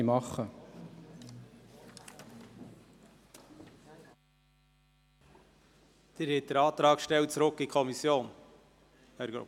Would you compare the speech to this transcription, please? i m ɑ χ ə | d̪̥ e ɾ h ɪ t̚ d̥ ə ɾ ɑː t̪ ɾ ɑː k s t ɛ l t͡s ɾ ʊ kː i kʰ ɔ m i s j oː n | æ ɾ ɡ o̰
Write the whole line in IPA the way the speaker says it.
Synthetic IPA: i m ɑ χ ə | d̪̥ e ɾ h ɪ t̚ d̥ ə ɾ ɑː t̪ ɾ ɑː k ʃ t ɛ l t͡s ɾ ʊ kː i kʰ ɔ m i s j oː n | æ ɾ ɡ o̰